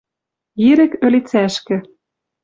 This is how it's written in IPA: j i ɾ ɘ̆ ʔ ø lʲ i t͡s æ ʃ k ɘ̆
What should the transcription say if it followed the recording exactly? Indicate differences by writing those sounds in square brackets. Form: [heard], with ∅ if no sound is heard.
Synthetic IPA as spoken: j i ɾ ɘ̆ [k] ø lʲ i t͡s æ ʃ k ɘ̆

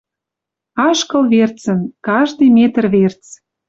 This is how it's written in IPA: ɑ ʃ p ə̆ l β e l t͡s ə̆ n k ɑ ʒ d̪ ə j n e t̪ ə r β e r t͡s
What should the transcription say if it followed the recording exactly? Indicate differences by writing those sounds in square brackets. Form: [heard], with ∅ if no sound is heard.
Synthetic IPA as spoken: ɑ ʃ [k] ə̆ l β e [r] t͡s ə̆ n k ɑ ʒ d̪ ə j [m] e t̪ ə r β e r t͡s

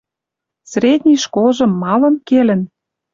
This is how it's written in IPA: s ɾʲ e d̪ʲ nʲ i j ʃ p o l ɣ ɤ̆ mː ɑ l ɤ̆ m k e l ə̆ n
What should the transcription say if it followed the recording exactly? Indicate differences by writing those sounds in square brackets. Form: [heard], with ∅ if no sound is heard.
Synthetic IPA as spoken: s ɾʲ e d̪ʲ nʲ i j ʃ [k] o l [ʒ] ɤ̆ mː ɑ l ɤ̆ m k e l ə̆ n

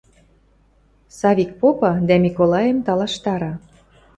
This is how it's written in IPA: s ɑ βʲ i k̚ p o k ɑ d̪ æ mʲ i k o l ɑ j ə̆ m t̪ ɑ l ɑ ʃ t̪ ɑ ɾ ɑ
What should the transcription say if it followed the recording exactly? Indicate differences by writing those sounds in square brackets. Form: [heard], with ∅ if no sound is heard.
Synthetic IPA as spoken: s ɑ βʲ i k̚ p o [p] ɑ d̪ æ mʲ i k o l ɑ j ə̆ m t̪ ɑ l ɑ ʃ t̪ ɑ ɾ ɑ

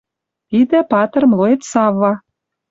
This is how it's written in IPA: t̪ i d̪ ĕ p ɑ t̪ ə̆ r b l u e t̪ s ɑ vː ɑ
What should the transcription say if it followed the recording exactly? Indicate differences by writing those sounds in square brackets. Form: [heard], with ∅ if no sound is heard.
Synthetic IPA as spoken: t̪ i d̪ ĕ p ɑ t̪ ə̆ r [m] l [o] e t̪ s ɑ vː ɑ

